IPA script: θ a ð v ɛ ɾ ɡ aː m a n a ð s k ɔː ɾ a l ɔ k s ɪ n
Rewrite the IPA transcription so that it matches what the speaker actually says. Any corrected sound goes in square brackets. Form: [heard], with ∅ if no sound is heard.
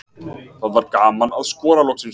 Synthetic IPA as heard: θ a ð v [a] ɾ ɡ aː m a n a ð s k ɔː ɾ a l ɔ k s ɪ n